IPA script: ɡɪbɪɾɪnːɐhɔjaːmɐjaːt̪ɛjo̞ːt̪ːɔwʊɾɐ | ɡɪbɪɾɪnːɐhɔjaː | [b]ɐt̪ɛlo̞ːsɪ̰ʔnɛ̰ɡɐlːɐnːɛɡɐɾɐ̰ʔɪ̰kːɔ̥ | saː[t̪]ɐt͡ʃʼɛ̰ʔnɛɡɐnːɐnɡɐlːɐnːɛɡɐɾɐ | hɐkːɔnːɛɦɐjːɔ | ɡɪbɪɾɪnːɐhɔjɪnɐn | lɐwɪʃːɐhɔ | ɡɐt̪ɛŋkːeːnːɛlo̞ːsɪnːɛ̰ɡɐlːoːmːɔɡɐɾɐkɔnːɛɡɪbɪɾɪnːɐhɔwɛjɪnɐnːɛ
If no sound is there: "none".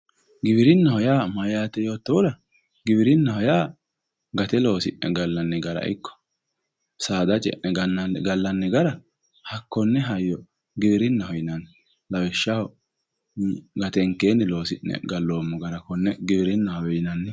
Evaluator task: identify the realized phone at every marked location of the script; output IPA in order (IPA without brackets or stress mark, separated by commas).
ɡ, d̪